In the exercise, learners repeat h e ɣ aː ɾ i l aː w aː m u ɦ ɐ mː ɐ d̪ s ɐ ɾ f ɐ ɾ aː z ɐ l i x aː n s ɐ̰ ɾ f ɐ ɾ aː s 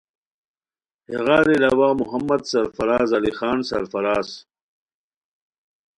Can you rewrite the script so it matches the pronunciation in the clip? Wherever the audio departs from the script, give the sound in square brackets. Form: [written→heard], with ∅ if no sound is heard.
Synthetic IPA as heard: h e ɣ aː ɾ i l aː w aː m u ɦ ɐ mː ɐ d̪ s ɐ ɾ f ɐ ɾ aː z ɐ l i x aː n s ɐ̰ ɾ f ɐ ɾ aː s